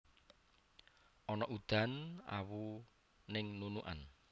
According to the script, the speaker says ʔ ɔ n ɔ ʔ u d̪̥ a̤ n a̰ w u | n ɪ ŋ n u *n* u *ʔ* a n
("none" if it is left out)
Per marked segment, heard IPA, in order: n, ʔ

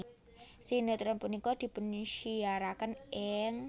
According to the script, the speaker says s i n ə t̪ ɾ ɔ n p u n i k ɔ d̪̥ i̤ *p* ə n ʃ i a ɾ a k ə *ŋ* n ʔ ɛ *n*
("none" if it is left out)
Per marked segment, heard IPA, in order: p, none, ŋ

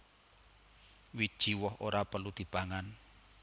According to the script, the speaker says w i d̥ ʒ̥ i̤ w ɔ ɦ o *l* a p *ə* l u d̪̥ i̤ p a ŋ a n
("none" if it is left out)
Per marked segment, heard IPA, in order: ɾ, ə

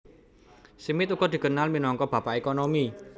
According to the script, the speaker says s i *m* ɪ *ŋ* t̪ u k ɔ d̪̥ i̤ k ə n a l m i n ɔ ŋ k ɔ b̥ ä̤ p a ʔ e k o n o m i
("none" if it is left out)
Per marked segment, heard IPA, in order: m, none

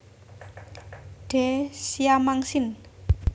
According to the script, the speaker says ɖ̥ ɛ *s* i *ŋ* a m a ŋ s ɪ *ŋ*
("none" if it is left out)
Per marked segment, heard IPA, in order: s, none, n

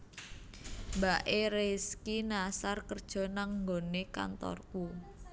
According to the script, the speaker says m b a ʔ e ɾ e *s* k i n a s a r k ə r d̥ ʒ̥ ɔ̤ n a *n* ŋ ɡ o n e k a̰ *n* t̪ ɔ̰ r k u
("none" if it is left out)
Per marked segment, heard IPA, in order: s, ŋ, n

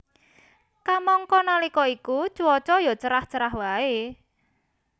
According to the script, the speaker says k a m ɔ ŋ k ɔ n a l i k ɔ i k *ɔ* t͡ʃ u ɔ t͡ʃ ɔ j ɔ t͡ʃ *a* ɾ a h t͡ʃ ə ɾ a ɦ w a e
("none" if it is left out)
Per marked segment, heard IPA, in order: u, ə

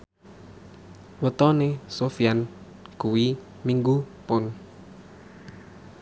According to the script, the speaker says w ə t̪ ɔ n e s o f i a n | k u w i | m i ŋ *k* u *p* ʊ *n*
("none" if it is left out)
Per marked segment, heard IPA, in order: ɡ, p, n

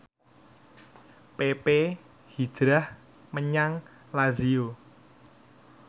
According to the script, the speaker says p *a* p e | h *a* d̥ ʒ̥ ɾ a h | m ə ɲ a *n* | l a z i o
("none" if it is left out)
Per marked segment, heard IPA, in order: e, i, ŋ

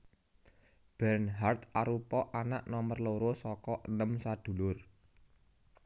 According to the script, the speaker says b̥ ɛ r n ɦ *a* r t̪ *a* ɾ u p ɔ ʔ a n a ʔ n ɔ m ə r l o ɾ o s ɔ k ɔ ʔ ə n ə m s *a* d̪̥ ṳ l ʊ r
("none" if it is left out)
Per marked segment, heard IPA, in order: a, a, a

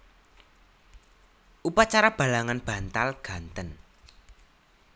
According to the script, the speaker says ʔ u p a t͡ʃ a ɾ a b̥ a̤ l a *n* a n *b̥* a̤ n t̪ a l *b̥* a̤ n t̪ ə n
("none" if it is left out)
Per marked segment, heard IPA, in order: ŋ, b̥, ɡ̥

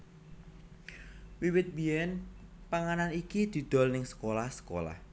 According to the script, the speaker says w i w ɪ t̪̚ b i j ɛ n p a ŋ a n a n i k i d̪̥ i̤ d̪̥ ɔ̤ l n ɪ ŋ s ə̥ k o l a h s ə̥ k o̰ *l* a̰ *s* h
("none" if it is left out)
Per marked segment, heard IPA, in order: l, none

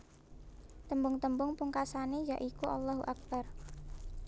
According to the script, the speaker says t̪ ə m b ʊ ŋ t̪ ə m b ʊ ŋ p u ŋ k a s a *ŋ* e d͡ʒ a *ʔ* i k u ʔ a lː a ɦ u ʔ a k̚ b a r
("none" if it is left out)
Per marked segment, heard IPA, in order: n, ʔ

